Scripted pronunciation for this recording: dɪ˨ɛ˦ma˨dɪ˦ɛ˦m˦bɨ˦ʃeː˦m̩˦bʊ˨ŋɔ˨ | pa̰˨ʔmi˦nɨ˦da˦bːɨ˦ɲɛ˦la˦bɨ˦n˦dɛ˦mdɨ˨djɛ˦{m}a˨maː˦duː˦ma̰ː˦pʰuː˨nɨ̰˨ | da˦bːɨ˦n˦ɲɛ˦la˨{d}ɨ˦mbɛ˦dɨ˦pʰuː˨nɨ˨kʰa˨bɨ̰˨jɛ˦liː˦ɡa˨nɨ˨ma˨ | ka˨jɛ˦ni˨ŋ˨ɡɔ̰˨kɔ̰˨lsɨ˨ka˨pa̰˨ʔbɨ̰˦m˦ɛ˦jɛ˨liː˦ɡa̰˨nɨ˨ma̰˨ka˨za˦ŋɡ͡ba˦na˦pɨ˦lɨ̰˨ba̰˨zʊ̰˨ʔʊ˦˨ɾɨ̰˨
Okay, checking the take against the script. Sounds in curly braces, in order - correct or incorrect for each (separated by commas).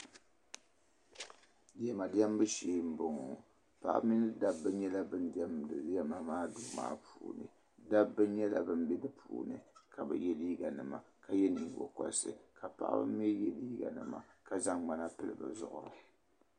correct, incorrect